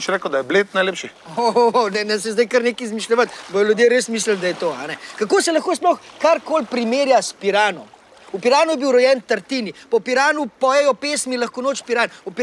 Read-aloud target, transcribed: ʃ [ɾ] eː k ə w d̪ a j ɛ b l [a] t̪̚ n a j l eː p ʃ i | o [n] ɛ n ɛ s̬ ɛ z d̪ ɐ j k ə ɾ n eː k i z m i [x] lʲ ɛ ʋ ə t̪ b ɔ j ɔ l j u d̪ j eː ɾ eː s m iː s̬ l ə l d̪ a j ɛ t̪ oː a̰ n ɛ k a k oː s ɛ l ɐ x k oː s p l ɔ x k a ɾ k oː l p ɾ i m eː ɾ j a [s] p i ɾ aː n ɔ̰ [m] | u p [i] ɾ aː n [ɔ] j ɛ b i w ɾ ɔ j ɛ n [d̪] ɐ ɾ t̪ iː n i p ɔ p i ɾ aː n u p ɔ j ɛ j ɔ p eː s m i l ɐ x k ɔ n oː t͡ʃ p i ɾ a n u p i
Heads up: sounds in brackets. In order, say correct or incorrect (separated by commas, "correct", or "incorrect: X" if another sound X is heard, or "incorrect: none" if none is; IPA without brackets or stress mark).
correct, incorrect: e, correct, incorrect: ʃ, correct, correct, correct, incorrect: u, incorrect: t̪